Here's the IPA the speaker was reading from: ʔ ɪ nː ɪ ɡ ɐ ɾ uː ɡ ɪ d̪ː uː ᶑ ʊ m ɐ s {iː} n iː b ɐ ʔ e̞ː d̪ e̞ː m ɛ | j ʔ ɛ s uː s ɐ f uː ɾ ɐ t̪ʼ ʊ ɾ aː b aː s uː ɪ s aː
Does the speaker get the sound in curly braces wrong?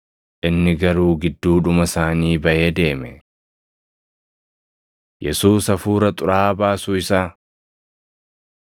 yes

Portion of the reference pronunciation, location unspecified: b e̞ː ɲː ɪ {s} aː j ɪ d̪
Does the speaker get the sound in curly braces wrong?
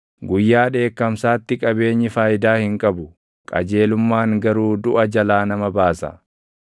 yes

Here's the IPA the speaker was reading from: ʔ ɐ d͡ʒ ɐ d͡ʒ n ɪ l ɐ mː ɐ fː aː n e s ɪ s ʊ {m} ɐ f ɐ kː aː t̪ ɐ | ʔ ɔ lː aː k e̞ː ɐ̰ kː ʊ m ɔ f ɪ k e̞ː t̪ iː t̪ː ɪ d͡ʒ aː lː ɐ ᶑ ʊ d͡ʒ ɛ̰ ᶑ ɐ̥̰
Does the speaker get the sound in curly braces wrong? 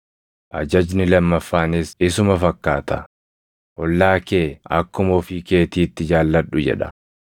no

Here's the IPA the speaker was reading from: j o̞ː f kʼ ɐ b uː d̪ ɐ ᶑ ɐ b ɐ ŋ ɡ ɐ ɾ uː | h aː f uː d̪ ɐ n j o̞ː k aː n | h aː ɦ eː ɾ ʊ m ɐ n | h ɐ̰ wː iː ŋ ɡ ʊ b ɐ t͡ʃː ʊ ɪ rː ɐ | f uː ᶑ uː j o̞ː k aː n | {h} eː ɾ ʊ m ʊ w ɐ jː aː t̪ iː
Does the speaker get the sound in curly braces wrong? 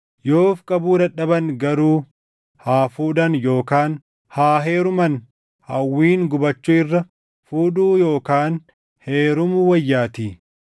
no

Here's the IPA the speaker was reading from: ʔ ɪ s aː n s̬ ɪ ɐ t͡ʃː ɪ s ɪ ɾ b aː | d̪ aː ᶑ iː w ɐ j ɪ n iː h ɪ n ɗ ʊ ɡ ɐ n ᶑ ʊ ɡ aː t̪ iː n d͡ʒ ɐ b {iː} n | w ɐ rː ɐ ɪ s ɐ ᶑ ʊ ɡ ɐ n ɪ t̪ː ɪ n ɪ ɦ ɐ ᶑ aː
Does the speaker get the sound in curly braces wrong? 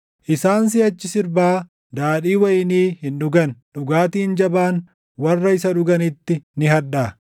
yes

